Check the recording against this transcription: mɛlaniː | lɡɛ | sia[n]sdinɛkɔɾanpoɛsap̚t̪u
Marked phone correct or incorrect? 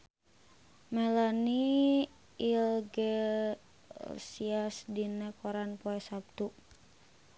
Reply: incorrect